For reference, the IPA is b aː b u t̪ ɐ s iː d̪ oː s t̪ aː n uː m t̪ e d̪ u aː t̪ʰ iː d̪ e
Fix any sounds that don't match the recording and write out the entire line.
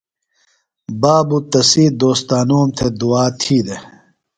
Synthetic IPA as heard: b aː b u t̪ ɐ s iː d̪ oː s t̪ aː n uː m t̪ʰ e d̪ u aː t̪ʰ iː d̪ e